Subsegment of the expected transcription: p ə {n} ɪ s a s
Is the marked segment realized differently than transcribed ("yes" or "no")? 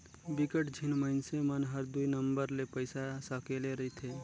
yes